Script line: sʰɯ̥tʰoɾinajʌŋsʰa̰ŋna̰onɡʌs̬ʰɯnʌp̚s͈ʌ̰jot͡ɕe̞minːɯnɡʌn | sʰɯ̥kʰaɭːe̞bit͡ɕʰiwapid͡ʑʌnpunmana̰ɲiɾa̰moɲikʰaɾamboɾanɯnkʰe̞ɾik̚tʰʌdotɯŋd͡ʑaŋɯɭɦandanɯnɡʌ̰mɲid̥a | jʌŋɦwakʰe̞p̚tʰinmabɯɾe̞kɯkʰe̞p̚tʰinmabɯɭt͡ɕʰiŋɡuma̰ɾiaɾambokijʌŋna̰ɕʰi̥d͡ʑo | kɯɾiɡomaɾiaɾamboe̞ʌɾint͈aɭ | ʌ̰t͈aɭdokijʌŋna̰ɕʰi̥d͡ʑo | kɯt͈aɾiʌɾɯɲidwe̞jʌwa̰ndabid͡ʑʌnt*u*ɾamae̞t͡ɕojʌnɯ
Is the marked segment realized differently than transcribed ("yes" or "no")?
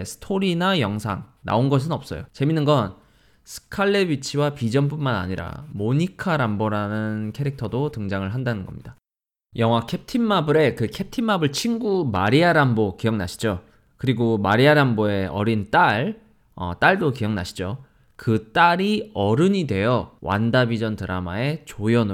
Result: yes